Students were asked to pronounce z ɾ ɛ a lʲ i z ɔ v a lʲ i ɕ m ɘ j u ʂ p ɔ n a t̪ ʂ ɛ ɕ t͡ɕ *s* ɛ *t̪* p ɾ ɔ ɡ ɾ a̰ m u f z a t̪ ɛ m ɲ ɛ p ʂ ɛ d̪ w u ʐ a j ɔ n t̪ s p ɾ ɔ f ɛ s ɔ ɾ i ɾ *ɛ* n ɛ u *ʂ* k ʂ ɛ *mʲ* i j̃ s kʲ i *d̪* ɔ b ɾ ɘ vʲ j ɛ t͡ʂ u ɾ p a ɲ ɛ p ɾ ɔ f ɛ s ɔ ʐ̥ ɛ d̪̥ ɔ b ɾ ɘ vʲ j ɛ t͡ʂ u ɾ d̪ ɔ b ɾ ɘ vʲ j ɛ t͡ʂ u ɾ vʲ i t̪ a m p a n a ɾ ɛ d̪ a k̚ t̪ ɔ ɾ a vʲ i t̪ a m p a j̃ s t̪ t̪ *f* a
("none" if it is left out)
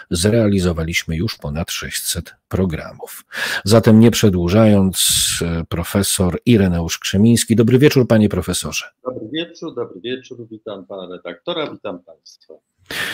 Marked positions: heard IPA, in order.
s, t̪, ɛ, ʂ, mʲ, d̪, f

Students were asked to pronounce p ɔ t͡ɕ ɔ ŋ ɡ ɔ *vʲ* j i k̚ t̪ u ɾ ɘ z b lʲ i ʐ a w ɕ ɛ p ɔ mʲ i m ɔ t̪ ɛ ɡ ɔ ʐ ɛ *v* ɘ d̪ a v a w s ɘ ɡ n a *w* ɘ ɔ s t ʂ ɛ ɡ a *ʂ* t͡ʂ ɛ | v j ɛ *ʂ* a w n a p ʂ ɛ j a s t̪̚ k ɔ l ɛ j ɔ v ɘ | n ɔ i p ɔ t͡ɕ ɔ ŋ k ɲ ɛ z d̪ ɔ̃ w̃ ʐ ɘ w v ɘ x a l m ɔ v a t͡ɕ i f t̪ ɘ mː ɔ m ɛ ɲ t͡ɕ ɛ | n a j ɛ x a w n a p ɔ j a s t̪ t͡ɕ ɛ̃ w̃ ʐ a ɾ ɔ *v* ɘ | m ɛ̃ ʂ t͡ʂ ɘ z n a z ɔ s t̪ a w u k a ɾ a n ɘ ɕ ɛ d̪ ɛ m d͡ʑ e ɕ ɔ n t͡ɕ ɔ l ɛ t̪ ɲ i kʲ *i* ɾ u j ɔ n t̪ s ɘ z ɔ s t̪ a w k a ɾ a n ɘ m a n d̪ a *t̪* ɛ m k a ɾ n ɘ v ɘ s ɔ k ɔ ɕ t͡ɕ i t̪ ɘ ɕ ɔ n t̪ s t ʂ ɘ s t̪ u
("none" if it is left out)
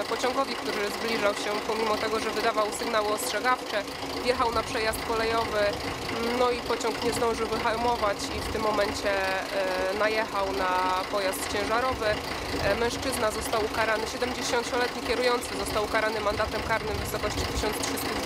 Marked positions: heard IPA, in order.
vʲ, v, w, f, x, v, ɛ, t̪

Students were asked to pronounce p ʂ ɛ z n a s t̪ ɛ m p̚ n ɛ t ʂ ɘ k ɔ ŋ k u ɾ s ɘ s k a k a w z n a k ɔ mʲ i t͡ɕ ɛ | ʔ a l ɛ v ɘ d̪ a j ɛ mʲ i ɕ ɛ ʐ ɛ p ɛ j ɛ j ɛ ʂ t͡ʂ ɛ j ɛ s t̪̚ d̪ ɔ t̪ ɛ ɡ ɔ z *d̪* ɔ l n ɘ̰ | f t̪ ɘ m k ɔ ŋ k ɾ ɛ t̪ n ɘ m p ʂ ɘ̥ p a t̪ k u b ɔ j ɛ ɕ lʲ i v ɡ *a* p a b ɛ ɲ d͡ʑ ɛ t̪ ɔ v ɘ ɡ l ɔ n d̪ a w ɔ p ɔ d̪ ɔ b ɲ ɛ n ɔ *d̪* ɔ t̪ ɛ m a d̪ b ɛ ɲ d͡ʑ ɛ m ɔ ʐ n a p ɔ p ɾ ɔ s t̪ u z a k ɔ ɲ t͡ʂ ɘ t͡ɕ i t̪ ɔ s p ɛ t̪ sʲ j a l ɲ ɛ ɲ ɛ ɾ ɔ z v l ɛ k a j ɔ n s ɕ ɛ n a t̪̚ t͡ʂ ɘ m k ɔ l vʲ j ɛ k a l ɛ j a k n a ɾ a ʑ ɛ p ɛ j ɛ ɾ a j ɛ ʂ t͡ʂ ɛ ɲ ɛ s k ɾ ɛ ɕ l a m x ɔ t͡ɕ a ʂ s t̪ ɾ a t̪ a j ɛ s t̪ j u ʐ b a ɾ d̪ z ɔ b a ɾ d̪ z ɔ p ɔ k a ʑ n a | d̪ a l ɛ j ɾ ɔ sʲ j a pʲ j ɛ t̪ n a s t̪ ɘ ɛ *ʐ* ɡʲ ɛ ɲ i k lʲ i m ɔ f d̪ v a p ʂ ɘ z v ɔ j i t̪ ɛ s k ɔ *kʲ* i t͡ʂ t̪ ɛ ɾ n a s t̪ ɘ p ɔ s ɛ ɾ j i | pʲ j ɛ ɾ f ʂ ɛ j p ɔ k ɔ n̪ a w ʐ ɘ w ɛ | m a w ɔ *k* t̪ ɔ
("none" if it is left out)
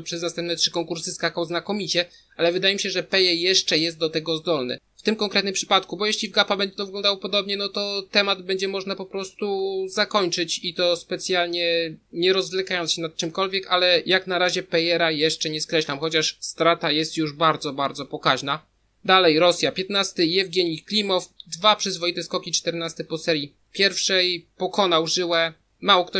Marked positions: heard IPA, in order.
d̪, a, t̪, v, kʲ, k

